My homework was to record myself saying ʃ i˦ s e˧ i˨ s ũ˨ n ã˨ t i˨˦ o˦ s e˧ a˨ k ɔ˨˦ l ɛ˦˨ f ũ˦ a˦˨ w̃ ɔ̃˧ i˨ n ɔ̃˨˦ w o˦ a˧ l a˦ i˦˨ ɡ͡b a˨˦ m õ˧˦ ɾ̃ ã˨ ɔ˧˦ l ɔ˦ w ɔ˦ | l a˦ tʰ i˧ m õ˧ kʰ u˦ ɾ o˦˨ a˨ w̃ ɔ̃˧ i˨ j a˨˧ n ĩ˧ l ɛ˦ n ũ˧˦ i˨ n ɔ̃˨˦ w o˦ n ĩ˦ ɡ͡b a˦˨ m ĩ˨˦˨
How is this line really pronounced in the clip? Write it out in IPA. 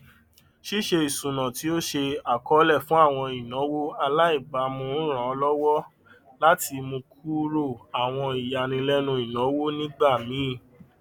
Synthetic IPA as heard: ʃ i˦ ʃ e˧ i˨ s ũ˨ n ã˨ t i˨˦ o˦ ʃ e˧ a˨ k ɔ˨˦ l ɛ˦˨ f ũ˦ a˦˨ w̃ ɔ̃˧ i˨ n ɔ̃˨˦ w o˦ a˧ l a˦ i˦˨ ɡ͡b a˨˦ m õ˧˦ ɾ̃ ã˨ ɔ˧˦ l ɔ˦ w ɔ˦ | l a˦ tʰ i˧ m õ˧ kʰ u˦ ɾ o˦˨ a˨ w̃ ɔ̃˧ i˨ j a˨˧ n ĩ˧ l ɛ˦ n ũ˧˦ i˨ n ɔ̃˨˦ w o˦ n ĩ˦ ɡ͡b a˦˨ m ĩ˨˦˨